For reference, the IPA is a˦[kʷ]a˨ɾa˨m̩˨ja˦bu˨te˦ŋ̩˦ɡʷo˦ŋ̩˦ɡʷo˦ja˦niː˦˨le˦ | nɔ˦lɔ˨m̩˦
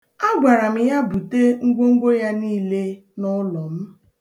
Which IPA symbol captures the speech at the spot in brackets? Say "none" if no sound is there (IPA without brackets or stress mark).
ɡʷ